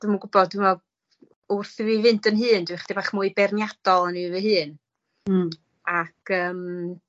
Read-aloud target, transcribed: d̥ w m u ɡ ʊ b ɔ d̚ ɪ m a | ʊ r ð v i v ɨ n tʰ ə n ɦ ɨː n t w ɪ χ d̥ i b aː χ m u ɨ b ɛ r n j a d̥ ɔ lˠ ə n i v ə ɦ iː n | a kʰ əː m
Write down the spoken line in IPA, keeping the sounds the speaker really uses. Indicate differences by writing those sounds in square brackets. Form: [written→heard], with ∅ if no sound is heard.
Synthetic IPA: d̥ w m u ɡ ʊ b ɔ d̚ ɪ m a | ʊ r [ð→θ] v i v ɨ n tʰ ə n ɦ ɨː n [t→d] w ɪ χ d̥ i b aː χ m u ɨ b ɛ r n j a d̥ ɔ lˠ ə n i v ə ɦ [iː→ɨː] n | a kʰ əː m